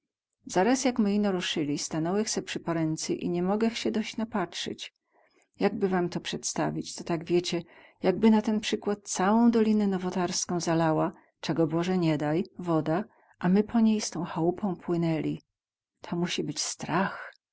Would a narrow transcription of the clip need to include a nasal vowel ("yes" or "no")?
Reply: yes